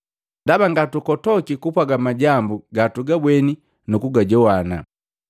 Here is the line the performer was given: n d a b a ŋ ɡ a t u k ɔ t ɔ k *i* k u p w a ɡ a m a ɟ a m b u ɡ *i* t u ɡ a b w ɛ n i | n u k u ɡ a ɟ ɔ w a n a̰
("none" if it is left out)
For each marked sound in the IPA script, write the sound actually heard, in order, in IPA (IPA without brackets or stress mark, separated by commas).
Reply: i, a